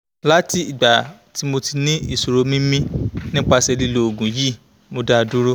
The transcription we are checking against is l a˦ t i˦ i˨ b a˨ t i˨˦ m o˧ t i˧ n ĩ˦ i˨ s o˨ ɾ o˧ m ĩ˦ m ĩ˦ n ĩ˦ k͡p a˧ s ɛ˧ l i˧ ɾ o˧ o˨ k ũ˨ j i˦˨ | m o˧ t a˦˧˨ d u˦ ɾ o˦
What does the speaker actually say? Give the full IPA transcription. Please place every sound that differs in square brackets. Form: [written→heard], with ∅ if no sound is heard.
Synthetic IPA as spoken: l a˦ t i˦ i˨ [b→ɡ͡b] a˨ t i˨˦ m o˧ t i˧ n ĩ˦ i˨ s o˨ ɾ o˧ m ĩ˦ m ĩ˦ n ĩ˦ k͡p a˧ s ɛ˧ l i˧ [ɾ→l] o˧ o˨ [k→ɡ] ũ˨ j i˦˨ | m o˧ [t→d] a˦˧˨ d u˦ ɾ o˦